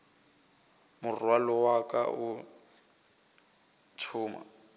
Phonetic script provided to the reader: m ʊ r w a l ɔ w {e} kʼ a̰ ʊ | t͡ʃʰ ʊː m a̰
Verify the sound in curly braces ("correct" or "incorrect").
incorrect